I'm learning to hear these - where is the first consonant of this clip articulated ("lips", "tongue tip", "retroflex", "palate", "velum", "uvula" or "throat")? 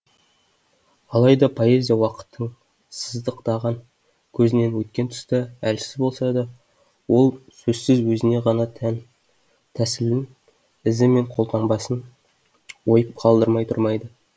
tongue tip